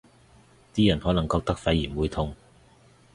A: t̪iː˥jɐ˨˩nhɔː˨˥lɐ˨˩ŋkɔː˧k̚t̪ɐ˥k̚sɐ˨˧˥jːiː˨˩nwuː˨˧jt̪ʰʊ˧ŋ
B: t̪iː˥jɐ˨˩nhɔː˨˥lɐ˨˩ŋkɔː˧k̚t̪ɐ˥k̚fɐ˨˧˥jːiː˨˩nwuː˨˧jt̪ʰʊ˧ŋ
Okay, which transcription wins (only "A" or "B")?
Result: B